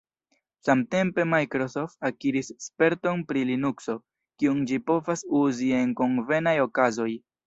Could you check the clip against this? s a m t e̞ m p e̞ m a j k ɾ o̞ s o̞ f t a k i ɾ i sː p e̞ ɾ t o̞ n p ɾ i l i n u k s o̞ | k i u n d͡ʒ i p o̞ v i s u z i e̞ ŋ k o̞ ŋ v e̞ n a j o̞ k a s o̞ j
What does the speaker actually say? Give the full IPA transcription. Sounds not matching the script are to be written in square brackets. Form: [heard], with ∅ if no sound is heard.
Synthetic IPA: s a m t e̞ m p e̞ m a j k ɾ o̞ s o̞ f t a k i ɾ i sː p e̞ ɾ t o̞ n p ɾ i l i n u k s o̞ | k i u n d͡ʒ i p o̞ v [a] s u z i e̞ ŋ k o̞ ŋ v e̞ n a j o̞ k a [z] o̞ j